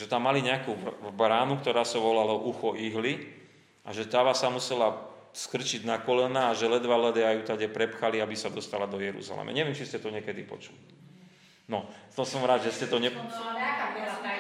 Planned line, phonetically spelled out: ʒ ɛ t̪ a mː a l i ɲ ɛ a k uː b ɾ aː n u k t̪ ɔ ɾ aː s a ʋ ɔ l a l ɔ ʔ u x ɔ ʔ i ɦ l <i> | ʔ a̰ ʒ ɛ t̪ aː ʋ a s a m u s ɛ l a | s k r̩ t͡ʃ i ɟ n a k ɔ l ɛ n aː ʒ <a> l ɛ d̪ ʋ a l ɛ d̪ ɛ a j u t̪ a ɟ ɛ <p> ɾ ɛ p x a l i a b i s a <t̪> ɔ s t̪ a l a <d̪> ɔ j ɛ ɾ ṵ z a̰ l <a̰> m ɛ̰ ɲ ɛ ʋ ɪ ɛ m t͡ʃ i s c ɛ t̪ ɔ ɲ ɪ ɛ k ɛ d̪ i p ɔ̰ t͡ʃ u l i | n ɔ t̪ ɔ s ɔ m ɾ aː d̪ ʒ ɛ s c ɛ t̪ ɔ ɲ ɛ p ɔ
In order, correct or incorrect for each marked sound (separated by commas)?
correct, incorrect, correct, incorrect, correct, incorrect